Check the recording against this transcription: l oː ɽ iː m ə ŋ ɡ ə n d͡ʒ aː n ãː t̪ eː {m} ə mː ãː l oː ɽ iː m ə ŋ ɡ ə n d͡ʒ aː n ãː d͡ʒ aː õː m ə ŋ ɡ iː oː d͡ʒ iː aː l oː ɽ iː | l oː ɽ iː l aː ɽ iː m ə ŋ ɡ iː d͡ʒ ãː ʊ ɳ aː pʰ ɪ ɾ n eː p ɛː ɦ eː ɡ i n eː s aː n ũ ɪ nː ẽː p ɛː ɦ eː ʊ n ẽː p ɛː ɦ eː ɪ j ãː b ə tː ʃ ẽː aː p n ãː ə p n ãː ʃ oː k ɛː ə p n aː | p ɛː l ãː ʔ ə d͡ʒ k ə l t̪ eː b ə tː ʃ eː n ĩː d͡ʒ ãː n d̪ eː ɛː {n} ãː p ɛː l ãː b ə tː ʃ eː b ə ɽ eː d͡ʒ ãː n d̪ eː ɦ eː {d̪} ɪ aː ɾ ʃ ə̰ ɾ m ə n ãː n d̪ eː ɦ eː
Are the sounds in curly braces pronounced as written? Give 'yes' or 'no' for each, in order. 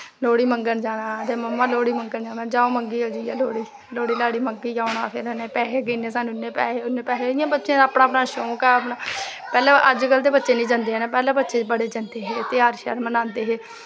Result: yes, yes, no

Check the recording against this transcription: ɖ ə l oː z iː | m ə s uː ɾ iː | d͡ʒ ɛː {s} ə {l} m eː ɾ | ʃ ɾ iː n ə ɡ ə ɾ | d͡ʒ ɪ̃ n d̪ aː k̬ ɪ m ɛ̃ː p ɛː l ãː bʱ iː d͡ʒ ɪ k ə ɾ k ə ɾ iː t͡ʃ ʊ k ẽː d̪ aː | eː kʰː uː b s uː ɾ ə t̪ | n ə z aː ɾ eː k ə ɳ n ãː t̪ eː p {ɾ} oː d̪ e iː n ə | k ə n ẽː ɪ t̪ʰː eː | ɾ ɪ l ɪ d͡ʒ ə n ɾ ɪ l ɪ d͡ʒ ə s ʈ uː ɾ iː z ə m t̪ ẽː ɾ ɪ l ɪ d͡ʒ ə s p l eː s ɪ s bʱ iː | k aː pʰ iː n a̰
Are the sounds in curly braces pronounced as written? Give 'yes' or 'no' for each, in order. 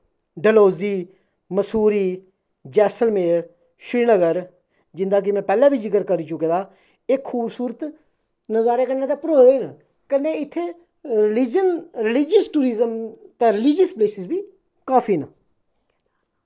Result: yes, yes, yes

